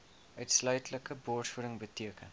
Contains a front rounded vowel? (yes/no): yes